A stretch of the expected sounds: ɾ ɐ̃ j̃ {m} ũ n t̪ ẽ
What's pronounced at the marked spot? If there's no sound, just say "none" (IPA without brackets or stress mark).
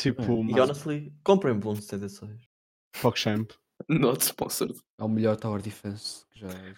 b